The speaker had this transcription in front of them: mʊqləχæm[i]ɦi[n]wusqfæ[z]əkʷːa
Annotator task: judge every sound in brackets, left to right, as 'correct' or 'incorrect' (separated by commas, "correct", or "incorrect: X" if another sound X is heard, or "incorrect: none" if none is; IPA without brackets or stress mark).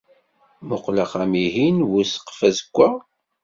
correct, correct, correct